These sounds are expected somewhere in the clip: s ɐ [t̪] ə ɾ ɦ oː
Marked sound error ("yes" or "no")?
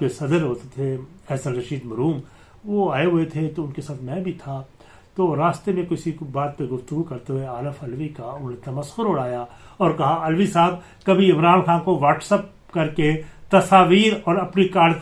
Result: yes